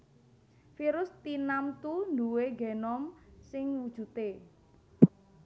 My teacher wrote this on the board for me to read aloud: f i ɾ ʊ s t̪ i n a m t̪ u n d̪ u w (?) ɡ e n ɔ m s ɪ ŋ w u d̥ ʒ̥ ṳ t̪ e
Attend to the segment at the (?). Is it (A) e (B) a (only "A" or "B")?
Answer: A